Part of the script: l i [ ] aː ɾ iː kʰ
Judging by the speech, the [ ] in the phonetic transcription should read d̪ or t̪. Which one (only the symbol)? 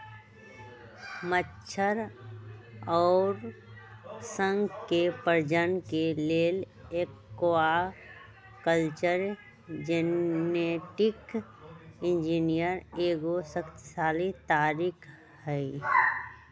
t̪